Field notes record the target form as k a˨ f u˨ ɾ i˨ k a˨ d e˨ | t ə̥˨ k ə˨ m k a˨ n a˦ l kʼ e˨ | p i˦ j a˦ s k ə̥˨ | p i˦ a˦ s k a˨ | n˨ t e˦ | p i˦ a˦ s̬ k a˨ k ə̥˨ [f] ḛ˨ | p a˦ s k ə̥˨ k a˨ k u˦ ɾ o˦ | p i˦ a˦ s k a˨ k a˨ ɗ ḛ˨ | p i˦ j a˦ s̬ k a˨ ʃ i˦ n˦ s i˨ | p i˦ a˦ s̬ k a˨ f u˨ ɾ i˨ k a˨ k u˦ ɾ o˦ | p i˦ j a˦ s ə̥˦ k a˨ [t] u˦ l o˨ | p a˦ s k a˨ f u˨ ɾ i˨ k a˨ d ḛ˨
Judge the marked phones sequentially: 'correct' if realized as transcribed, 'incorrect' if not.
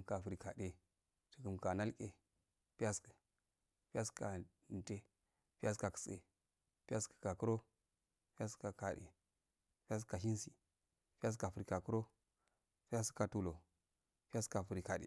incorrect: s, correct

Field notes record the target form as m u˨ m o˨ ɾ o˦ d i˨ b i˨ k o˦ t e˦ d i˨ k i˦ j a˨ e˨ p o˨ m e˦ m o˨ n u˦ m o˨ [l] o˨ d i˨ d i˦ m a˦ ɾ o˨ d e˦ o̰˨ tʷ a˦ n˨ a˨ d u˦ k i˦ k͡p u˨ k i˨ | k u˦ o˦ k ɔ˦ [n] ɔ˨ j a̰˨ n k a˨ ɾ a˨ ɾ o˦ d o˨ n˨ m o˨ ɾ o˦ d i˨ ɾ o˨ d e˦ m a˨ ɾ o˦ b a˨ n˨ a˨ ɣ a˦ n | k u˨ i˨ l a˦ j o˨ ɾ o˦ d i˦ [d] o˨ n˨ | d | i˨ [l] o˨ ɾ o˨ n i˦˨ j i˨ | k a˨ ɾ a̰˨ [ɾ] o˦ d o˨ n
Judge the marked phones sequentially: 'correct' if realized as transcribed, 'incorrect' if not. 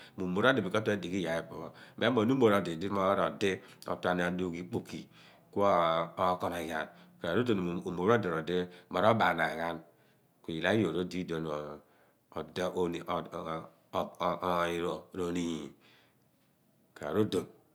incorrect: ɾ, correct, correct, incorrect: ɾ, correct

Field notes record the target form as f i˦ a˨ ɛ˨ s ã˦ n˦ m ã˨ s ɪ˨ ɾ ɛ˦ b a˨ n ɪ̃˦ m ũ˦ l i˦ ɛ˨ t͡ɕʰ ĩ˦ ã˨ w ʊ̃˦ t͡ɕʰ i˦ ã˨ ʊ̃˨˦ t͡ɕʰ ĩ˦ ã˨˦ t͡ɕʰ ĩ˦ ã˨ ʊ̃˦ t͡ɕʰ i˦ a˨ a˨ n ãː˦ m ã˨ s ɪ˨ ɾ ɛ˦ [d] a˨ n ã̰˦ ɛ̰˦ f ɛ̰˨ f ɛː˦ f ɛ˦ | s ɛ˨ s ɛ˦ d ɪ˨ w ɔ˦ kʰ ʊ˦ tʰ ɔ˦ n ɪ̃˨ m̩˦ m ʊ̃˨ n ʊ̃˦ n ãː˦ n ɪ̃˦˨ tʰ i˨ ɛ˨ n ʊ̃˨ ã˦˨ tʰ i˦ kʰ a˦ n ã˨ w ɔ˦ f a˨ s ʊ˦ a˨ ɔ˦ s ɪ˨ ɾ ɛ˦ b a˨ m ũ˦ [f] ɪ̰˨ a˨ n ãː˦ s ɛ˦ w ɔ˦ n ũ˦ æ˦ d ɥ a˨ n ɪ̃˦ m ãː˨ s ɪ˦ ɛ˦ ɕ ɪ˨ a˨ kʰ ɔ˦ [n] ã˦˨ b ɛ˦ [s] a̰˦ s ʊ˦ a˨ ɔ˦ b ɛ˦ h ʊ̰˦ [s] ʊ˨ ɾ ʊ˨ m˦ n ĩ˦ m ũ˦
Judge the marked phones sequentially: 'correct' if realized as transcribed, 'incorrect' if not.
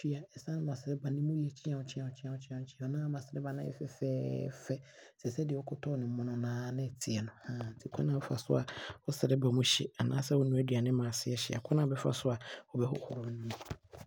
incorrect: b, incorrect: ɕ, correct, incorrect: f, incorrect: h

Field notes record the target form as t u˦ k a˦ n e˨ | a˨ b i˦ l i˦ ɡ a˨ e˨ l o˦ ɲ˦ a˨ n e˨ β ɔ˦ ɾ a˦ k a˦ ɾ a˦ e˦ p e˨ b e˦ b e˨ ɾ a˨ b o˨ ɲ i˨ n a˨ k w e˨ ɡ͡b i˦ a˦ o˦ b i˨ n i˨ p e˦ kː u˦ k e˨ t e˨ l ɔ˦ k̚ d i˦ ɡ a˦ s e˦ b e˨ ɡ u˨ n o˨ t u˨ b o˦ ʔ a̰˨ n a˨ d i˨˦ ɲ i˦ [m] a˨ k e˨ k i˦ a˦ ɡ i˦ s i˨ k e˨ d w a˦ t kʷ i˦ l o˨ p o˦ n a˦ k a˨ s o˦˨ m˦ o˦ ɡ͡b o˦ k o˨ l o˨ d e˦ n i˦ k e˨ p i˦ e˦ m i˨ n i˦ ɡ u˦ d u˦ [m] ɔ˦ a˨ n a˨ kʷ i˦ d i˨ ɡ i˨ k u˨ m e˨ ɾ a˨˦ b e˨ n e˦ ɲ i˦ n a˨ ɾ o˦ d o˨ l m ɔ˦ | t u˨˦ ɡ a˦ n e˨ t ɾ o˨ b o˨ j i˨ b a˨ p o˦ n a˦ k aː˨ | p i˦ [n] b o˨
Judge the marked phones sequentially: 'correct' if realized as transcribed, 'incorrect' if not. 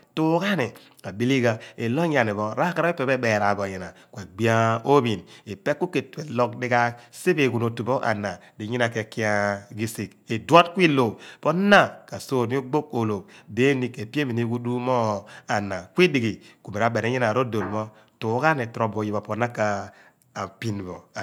incorrect: n, correct, correct

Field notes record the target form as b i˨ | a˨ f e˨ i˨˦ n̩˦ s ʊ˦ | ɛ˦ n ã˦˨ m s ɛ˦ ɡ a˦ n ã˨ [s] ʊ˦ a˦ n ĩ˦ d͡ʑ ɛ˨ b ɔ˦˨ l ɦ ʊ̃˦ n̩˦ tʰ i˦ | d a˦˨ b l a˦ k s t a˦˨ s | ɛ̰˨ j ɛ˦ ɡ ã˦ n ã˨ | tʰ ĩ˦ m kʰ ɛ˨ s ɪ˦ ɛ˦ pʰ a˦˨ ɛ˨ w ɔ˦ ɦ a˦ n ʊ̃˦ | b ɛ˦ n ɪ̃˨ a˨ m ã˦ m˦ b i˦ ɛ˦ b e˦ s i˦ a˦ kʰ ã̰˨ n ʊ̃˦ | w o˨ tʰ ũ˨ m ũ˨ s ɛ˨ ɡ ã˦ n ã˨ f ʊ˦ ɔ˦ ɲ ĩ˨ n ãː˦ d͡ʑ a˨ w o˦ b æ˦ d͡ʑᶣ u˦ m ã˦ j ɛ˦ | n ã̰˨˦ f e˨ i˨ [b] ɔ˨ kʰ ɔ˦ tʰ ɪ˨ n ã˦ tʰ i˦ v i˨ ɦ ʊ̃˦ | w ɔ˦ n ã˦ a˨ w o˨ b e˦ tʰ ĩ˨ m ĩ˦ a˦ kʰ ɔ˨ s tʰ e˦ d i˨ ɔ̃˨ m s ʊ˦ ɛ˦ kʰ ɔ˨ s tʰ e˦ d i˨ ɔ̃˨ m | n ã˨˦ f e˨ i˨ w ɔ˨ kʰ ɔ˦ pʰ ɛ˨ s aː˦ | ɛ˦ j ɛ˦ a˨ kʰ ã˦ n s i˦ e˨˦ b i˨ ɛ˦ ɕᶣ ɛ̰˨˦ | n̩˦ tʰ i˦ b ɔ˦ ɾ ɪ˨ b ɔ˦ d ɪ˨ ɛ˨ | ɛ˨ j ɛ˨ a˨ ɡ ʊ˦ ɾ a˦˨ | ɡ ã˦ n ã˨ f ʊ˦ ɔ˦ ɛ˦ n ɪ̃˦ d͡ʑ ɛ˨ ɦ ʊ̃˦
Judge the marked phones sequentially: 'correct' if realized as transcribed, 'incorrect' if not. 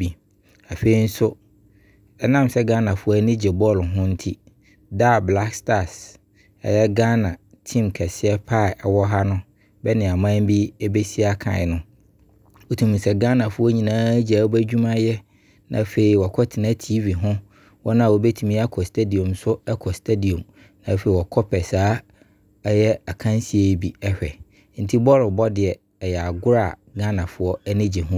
incorrect: f, incorrect: w

